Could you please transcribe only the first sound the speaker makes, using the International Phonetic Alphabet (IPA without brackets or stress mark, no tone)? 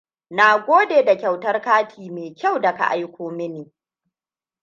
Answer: n